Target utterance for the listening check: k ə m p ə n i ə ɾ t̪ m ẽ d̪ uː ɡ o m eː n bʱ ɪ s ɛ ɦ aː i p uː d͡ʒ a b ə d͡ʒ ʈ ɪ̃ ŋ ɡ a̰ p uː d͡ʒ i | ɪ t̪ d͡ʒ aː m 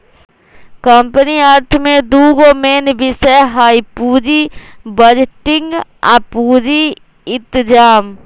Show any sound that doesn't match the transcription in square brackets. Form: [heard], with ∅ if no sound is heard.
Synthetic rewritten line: k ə m p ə n i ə ɾ [t̪ʰ] m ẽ d̪ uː ɡ o m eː n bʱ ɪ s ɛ ɦ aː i p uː d͡ʒ [i] b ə d͡ʒ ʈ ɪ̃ ŋ ɡ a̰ p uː d͡ʒ i | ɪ t̪ d͡ʒ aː m